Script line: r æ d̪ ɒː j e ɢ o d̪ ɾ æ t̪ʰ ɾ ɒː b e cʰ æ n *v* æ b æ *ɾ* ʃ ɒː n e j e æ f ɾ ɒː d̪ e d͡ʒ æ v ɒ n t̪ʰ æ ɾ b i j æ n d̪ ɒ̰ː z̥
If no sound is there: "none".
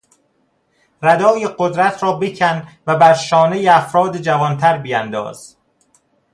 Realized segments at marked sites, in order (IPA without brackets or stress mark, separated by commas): v, ɾ